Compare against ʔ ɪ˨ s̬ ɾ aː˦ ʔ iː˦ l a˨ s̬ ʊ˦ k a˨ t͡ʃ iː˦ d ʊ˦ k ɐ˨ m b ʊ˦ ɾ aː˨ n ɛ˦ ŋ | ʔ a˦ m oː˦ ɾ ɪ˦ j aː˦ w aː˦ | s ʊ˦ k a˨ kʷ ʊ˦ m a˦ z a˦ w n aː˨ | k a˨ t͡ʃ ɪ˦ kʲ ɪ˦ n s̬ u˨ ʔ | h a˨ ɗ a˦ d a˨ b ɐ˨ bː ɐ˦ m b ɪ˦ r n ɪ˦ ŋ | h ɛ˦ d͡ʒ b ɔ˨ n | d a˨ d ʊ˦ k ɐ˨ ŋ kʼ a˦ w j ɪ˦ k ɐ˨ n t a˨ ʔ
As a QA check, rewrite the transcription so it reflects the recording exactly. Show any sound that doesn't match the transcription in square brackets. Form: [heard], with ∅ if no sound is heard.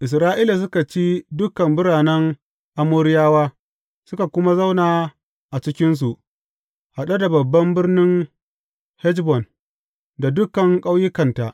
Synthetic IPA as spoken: ʔ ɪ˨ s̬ ɾ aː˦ ʔ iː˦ l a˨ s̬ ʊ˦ k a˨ t͡ʃ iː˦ d ʊ˦ k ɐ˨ m b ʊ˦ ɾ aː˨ n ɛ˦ ŋ | ʔ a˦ m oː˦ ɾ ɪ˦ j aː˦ w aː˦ | s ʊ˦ k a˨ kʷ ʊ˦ m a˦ z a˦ w n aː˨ | [ʔ] a˨ t͡ʃ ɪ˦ kʲ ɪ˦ n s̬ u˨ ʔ | h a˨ ɗ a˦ d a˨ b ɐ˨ bː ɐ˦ m b ɪ˦ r n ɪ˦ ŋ | h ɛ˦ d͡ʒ b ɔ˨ n | d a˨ d ʊ˦ k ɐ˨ ŋ kʼ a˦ w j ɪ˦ k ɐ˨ n t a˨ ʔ